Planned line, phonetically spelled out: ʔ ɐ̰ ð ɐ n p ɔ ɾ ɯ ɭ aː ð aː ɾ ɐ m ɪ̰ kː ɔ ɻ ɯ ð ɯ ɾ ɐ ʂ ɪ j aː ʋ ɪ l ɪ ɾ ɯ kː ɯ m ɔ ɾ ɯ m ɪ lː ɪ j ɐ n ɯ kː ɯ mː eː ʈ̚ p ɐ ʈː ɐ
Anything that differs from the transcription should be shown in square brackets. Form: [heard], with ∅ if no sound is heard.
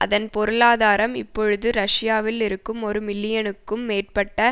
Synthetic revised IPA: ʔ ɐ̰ ð ɐ n p ɔ ɾ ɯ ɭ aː ð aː ɾ ɐ m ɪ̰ [pː] ɔ ɻ ɯ ð ɯ ɾ ɐ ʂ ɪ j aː ʋ ɪ l ɪ ɾ ɯ kː ɯ m ɔ ɾ ɯ m ɪ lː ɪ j ɐ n ɯ kː ɯ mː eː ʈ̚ p ɐ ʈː ɐ